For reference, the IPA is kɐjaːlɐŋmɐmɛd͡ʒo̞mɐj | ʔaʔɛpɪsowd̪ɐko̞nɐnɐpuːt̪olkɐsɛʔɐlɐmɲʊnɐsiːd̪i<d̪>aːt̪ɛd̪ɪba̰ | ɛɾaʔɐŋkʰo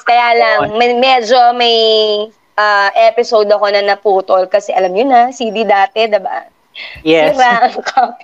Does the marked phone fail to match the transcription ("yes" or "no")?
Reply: no